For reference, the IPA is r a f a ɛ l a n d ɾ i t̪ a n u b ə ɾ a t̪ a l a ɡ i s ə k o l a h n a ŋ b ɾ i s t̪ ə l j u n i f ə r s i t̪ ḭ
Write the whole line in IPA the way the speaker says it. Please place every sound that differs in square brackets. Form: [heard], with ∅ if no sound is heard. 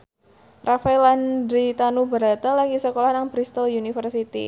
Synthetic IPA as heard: r a f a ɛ l a n d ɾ i t̪ a n u b ə ɾ a t̪ a l a ɡ i s ə k o l a h n a ŋ b ɾ i s t̪ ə l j u n i f ə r s i t̪ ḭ